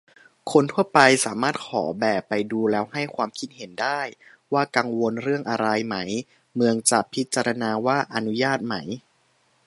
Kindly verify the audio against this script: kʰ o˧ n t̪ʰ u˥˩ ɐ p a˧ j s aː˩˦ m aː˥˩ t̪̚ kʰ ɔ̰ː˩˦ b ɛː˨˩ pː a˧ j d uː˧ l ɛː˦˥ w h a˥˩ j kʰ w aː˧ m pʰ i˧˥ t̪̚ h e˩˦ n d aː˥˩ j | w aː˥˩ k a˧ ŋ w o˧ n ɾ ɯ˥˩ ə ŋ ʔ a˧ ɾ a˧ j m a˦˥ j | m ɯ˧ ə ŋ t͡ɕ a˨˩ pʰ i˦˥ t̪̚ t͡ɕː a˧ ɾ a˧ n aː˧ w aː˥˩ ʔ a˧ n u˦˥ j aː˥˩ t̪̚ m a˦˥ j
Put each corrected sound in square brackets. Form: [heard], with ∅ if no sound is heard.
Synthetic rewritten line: kʰ o˧ n t̪ʰ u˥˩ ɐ p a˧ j s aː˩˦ m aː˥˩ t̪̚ kʰ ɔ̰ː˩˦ b ɛː˨˩ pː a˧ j d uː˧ l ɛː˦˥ w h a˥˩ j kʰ w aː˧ m [kʰ] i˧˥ t̪̚ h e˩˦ n d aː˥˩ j | w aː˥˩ k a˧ ŋ w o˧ n ɾ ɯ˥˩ ə ŋ ʔ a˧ ɾ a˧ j m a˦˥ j | m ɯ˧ ə ŋ t͡ɕ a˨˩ pʰ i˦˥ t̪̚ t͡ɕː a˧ ɾ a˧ n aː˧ w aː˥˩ ʔ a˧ n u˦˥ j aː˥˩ t̪̚ m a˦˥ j

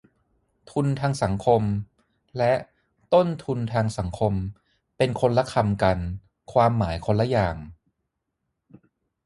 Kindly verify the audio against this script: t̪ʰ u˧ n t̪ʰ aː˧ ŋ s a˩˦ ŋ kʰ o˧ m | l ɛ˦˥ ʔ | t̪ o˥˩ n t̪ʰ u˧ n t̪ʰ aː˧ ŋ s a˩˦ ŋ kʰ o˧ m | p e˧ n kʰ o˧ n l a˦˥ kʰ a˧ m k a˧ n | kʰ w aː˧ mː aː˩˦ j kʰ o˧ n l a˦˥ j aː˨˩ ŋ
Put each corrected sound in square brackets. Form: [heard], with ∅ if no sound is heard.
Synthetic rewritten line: t̪ʰ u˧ n t̪ʰ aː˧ ŋ s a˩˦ ŋ kʰ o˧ m | l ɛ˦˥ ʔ | t̪ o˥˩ n t̪ʰ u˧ n t̪ʰ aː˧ ŋ s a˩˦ ŋ kʰ o˧ m | p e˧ n kʰ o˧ n l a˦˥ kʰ a˧ m k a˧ n | kʰ w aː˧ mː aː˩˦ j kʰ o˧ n l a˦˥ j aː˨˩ ŋ

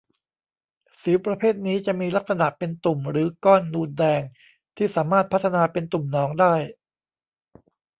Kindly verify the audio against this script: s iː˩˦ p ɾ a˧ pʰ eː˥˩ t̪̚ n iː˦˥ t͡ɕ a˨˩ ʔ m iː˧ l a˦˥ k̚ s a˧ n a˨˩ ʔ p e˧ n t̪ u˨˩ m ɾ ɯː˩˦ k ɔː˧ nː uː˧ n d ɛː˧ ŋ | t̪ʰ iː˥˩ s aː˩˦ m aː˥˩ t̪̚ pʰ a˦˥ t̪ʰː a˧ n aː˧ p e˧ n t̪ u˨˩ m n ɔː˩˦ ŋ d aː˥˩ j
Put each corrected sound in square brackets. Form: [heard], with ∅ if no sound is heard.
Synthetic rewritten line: s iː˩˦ p ɾ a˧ pʰ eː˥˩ t̪̚ n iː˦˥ t͡ɕ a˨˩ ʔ m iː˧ l a˦˥ k̚ s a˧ n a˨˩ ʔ p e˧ n t̪ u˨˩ m ɾ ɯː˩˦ k [ɔː˥˩] nː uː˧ n d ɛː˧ ŋ | t̪ʰ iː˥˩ s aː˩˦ m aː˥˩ t̪̚ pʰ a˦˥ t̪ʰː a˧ n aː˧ p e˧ n t̪ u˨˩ m n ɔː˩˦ ŋ d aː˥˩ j

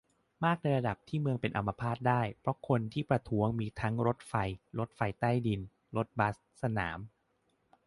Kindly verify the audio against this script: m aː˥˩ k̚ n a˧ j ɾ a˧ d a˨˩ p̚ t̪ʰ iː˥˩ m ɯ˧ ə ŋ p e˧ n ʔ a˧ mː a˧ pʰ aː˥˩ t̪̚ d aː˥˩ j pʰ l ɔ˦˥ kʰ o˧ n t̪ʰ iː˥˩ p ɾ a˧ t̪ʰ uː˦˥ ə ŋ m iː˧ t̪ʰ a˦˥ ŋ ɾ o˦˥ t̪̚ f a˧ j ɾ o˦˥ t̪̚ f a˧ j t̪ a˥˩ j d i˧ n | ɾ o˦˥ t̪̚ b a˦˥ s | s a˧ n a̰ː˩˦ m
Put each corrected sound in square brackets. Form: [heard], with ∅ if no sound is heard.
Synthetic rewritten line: m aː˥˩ k̚ n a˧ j ɾ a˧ d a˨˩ p̚ t̪ʰ iː˥˩ m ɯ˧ ə ŋ p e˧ n ʔ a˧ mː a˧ pʰ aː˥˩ t̪̚ d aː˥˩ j pʰ [ɾ] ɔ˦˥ kʰ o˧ n t̪ʰ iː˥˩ p ɾ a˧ t̪ʰ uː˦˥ ə ŋ m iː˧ t̪ʰ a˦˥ ŋ ɾ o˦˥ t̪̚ f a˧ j ɾ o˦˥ t̪̚ f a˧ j t̪ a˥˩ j d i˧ n | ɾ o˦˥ t̪̚ b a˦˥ s | s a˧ n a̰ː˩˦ m

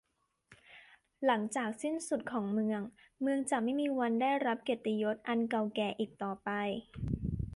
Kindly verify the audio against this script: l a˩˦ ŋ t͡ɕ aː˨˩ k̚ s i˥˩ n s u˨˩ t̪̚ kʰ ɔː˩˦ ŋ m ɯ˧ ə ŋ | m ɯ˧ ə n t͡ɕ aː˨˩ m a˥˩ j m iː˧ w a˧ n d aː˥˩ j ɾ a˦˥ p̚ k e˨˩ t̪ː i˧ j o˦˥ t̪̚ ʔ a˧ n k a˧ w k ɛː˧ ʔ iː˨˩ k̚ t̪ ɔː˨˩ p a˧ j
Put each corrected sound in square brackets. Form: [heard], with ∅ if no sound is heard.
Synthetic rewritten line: l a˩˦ ŋ t͡ɕ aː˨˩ k̚ s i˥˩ n s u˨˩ t̪̚ kʰ ɔː˩˦ ŋ m ɯ˧ ə ŋ | m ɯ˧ ə [ŋ] t͡ɕ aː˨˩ m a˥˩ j m iː˧ w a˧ n d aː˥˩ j ɾ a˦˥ p̚ k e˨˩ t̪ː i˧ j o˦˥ t̪̚ ʔ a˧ n k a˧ w k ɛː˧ ʔ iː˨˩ k̚ t̪ ɔː˨˩ p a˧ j

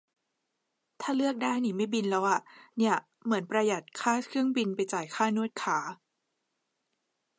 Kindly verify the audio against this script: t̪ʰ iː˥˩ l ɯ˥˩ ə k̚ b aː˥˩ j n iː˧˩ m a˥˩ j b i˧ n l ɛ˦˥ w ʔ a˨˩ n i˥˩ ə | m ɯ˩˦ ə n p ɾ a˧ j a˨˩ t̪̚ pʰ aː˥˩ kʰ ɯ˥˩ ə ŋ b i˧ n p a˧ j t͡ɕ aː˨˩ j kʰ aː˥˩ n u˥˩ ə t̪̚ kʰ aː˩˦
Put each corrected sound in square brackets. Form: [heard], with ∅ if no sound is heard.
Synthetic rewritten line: t̪ʰ [aː˥˩] l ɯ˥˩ ə k̚ [d] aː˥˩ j n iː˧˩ m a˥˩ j b i˧ n l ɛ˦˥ w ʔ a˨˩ n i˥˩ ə | m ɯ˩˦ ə n p ɾ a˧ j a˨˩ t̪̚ [kʰ] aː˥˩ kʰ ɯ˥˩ ə ŋ b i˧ n p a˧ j t͡ɕ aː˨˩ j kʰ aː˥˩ n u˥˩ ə t̪̚ kʰ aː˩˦

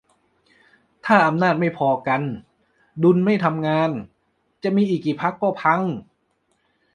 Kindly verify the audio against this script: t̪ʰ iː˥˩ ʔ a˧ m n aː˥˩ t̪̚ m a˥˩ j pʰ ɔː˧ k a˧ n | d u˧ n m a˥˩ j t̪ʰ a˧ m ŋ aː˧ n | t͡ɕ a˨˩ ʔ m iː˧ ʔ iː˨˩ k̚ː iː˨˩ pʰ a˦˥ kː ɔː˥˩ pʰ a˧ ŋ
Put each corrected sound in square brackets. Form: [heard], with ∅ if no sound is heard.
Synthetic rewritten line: t̪ʰ [aː˥˩] ʔ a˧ m n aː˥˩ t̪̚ m a˥˩ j pʰ ɔː˧ k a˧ n | d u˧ n m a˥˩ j t̪ʰ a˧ m ŋ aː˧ n | t͡ɕ a˨˩ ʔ m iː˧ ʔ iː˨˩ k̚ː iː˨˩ pʰ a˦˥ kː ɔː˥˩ pʰ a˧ ŋ

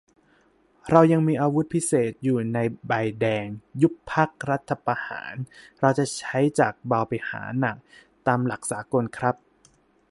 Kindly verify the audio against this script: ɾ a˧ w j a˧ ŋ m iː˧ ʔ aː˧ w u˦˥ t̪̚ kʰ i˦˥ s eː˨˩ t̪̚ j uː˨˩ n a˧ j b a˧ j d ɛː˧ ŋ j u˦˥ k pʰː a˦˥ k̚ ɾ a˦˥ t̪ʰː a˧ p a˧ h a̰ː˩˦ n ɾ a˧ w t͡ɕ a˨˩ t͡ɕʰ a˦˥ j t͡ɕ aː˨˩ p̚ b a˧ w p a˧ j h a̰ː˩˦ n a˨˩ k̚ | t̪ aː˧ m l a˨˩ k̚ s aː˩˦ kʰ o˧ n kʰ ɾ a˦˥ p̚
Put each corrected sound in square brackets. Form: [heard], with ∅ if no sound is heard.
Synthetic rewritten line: ɾ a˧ w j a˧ ŋ m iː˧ ʔ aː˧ w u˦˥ t̪̚ [pʰ] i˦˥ s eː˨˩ t̪̚ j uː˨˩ n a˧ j b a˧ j d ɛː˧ ŋ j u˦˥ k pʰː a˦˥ k̚ ɾ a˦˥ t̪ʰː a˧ p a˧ h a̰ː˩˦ n ɾ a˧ w t͡ɕ a˨˩ t͡ɕʰ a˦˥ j t͡ɕ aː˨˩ [k̚] b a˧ w p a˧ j h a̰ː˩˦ n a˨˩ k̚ | t̪ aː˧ m l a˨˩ k̚ s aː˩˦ [k] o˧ n kʰ ɾ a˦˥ p̚

